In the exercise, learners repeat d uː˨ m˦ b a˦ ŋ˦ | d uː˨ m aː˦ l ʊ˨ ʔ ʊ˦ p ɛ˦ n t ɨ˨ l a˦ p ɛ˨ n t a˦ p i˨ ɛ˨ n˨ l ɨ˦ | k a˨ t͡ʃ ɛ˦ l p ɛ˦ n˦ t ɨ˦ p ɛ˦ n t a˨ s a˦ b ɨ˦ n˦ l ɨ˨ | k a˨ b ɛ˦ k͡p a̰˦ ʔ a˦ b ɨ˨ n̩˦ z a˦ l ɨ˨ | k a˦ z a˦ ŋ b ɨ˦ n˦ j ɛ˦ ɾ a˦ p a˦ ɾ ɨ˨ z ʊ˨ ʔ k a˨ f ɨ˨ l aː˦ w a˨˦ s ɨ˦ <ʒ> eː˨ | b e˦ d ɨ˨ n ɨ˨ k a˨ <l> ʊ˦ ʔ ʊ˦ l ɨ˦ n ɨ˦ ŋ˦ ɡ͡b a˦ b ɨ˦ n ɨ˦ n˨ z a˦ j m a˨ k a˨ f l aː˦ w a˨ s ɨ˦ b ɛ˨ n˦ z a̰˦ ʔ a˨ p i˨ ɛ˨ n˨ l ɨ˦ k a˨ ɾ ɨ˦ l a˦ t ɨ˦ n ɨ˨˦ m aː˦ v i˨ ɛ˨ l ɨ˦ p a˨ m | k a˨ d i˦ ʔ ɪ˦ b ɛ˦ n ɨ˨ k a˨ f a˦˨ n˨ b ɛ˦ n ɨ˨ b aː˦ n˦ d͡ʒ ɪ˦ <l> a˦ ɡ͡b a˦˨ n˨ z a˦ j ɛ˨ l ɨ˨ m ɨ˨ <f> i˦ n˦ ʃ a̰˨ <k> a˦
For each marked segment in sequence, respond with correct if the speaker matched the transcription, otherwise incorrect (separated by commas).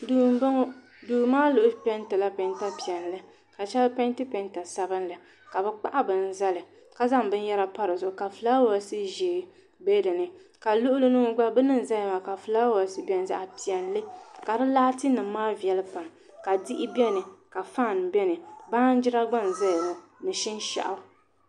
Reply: correct, correct, incorrect, incorrect, incorrect